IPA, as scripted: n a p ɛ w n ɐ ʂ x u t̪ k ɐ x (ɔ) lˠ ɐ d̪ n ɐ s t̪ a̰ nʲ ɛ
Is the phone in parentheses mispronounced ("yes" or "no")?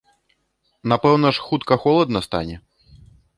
no